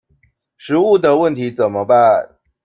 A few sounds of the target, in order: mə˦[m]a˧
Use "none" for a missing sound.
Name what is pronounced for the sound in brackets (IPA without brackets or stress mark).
b